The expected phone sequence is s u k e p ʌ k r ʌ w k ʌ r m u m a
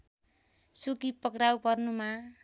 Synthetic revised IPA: s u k i p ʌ k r a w p ʌ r n u m a